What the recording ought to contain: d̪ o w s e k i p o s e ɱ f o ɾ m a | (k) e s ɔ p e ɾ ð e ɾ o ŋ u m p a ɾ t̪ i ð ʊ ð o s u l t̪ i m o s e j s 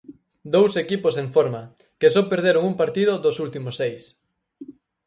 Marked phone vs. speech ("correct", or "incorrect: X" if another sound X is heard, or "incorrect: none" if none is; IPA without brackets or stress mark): correct